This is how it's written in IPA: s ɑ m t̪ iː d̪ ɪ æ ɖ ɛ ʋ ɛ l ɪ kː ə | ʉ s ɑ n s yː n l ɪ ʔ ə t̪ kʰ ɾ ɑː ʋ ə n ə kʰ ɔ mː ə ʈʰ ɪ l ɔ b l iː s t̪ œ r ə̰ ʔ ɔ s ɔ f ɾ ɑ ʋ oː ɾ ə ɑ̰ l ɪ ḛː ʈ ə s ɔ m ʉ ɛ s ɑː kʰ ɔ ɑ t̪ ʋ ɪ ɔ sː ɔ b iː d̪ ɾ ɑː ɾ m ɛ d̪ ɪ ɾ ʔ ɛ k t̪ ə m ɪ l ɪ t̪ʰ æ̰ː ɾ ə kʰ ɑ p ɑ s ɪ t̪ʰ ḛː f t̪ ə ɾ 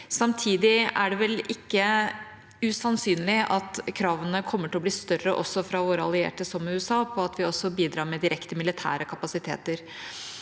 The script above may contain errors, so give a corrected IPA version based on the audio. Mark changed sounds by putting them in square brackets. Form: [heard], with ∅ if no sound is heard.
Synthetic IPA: s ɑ m [t̪ʰ] iː d̪ ɪ æ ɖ ɛ ʋ ɛ l ɪ kː ə | ʉ s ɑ n s yː n l ɪ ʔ [ɑ] t̪ kʰ ɾ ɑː ʋ ə n ə kʰ ɔ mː ə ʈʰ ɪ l ɔ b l iː s t̪ œ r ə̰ ʔ ɔ s ɔ f ɾ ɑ ʋ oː ɾ ə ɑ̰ l ɪ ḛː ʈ ə s ɔ m ʉ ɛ s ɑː [pʰ] ɔ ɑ t̪ ʋ ɪ ɔ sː ɔ b iː d̪ ɾ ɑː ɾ m ɛ d̪ ɪ ɾ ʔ ɛ k t̪ ə m ɪ l ɪ t̪ʰ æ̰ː ɾ ə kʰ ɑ p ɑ s ɪ t̪ʰ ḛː [∅] t̪ ə ɾ